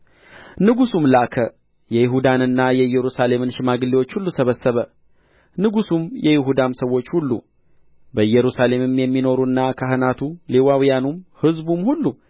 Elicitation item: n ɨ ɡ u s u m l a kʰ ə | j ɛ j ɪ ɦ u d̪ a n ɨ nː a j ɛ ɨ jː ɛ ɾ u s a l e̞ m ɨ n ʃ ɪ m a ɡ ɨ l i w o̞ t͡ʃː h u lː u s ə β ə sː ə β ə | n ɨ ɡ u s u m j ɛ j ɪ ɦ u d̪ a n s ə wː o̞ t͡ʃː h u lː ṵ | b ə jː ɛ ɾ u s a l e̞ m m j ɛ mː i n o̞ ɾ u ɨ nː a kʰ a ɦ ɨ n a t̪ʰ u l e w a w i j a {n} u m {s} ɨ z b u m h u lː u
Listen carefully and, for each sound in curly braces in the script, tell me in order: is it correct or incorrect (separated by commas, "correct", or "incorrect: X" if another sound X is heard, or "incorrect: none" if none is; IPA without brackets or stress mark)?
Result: correct, incorrect: h